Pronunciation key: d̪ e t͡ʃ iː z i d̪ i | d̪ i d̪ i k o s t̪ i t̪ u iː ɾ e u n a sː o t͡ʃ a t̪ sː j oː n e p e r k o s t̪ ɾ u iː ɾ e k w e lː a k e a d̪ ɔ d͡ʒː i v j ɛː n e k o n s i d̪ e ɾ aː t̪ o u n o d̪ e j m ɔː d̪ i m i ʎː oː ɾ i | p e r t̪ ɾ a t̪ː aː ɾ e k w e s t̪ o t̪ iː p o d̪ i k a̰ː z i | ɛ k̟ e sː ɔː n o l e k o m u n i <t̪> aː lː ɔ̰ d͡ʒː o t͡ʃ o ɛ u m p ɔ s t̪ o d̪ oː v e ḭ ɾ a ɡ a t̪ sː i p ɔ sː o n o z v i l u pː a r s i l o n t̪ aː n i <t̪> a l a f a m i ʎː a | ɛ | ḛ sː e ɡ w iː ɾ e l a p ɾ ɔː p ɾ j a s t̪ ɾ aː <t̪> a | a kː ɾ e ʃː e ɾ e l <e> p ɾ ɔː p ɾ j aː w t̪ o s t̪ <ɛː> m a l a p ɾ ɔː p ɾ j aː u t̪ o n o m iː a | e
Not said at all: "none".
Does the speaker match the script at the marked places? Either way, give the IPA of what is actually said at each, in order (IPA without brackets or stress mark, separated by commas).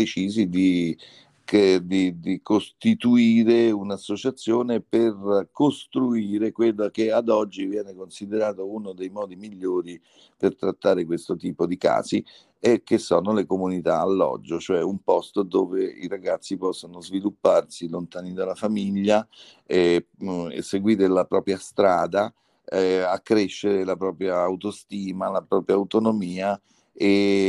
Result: t̪, d̪, d̪, a, iː